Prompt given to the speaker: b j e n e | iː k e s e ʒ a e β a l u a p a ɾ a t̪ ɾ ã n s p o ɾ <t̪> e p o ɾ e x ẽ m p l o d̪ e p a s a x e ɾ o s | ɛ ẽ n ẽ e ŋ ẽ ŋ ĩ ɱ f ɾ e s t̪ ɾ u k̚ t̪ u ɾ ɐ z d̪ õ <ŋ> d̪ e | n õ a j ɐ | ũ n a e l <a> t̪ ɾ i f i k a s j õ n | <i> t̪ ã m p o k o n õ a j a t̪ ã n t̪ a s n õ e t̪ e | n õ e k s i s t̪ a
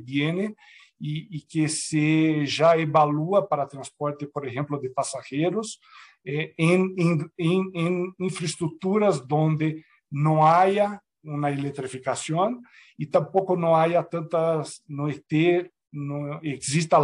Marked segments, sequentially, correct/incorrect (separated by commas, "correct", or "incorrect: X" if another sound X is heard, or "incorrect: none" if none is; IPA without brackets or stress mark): correct, incorrect: n, incorrect: e, correct